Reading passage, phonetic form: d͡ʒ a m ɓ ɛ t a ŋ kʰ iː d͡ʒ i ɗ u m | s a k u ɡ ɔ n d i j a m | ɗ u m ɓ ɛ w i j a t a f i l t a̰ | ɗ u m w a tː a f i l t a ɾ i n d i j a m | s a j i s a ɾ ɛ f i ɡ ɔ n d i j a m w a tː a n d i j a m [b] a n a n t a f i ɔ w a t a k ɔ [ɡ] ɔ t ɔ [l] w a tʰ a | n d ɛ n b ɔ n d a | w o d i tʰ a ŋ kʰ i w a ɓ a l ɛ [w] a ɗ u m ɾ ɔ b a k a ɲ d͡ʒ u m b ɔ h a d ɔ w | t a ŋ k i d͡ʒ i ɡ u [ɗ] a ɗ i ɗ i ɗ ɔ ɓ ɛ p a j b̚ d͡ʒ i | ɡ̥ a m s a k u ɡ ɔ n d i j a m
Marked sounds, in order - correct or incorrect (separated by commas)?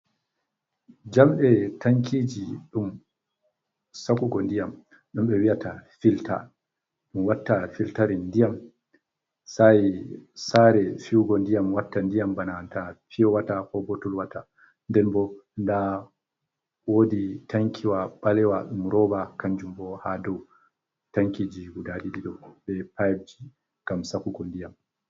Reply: correct, incorrect, correct, correct, incorrect